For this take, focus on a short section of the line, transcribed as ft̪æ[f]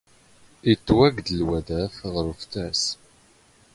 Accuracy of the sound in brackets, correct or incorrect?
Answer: incorrect